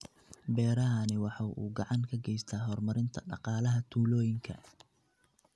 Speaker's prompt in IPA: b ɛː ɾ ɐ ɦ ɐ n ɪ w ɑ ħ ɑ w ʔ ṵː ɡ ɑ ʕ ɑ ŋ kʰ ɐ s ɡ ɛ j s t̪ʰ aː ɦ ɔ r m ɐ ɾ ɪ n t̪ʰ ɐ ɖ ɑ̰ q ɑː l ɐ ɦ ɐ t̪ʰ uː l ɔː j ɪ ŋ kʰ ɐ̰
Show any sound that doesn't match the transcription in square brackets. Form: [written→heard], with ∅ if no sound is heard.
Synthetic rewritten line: b ɛː ɾ ɐ ɦ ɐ n ɪ w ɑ ħ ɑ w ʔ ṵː ɡ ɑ ʕ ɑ ŋ kʰ ɐ [s→∅] ɡ ɛ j s t̪ʰ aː ɦ ɔ r m ɐ ɾ ɪ n t̪ʰ ɐ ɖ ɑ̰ q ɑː l ɐ ɦ ɐ t̪ʰ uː l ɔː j ɪ ŋ kʰ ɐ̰